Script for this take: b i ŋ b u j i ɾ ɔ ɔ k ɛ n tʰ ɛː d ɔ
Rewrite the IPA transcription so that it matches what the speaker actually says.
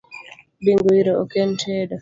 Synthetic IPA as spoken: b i ŋ ɡ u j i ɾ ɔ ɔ k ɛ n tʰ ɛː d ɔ